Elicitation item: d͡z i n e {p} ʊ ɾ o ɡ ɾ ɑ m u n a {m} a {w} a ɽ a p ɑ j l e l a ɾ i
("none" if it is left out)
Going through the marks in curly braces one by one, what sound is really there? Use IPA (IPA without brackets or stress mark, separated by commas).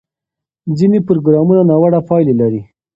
p, n, w